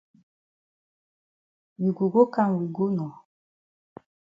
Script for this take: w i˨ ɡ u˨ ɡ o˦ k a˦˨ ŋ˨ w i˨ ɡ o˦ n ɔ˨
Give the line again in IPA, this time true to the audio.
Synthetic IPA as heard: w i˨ ɡ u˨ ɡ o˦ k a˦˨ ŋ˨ w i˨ ɡ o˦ n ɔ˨